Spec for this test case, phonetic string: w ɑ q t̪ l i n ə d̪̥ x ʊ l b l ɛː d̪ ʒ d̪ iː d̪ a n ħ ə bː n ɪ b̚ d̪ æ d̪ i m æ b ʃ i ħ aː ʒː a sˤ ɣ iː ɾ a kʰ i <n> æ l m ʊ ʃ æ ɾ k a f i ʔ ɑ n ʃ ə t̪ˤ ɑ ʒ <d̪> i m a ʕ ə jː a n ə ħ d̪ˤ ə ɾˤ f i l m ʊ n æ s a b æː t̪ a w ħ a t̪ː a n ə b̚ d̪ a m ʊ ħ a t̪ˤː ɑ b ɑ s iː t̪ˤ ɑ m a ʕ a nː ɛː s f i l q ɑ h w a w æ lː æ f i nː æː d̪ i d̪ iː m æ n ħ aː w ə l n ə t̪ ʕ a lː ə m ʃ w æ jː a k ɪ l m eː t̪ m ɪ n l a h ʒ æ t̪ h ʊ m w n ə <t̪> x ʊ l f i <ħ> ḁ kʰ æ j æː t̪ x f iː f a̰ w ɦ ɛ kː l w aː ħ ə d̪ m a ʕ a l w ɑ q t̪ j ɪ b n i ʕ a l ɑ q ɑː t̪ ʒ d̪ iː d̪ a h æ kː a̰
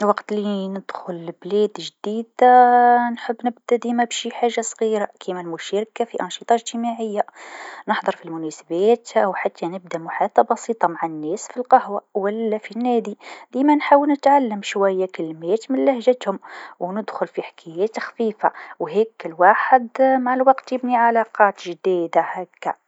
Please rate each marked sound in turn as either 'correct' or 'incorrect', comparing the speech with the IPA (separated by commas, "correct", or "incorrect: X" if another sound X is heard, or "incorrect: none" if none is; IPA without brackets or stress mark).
incorrect: m, incorrect: t̪, incorrect: d̪, correct